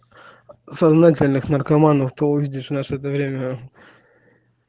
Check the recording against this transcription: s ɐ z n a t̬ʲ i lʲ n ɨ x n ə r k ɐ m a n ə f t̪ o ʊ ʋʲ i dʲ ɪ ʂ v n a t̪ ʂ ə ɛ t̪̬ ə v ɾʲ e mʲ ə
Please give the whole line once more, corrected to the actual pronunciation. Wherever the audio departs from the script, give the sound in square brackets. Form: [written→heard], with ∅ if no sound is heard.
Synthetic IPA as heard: s ɐ z n a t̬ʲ [i→ɪ] lʲ n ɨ x n ə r k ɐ m a n ə f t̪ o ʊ [ʋʲ→vʲ] i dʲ ɪ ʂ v n a [t̪→∅] ʂ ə ɛ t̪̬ ə v ɾʲ e mʲ ə